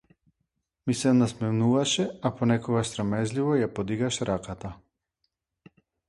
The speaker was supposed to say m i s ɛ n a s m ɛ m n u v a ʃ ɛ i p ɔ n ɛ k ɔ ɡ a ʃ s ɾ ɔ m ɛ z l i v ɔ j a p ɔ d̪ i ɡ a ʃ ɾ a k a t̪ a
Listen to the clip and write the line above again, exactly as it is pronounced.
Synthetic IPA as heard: m i s ɛ n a s m ɛ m n u v a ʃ ɛ a p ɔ n ɛ k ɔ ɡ a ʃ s ɾ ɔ m ɛ z l i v ɔ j a p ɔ d̪ i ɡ a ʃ ɾ a k a t̪ a

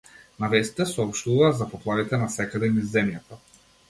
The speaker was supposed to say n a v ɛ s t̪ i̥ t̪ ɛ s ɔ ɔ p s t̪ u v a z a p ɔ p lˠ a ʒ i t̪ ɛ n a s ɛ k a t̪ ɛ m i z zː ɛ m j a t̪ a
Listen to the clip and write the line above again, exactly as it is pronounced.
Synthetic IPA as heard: n a v ɛ s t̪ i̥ t̪ ɛ s ɔ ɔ p ʃ t̪ u v a z a p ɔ p lˠ a v i t̪ ɛ n a s ɛ k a d̪ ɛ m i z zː ɛ m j a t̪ a

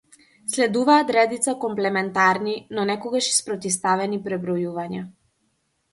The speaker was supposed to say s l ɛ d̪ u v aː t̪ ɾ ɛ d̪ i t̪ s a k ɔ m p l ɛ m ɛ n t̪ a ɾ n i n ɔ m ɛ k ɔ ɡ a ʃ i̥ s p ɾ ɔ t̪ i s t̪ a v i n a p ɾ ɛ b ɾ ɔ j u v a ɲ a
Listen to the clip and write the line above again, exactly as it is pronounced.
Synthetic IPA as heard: s l ɛ d̪ u v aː t̪ ɾ ɛ d̪ i t̪ s a k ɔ m p l ɛ m ɛ n t̪ a ɾ n i n ɔ n ɛ k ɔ ɡ a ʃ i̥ s p ɾ ɔ t̪ i s t̪ a v ɛ n i p ɾ ɛ b ɾ ɔ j u v a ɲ a

